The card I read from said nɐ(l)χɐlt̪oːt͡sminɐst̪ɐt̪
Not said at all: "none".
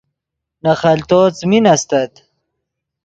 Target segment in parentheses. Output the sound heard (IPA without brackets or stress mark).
none